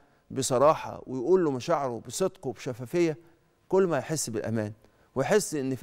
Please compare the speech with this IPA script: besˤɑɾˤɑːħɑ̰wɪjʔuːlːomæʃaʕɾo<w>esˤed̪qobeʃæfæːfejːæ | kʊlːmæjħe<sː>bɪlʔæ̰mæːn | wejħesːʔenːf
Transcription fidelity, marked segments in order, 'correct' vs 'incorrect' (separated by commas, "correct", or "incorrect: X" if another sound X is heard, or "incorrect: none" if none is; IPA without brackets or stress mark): incorrect: b, correct